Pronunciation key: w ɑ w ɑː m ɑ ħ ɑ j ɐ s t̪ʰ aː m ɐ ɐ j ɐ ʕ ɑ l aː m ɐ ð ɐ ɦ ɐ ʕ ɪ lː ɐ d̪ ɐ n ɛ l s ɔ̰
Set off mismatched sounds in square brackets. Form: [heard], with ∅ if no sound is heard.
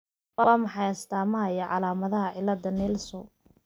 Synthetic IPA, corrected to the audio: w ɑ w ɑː m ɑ ħ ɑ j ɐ s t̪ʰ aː m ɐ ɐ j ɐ ʕ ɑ l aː m ɐ ð ɐ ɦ ɐ ʕ ɪ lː ɐ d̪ ɐ n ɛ l s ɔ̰